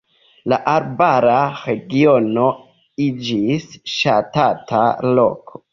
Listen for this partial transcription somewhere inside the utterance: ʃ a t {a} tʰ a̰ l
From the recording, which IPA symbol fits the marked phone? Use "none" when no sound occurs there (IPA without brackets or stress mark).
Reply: a